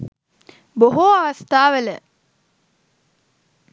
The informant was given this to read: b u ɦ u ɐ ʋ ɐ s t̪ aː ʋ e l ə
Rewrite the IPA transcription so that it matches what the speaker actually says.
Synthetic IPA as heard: b o ɦ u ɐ ʋ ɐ s t̪ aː ʋ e l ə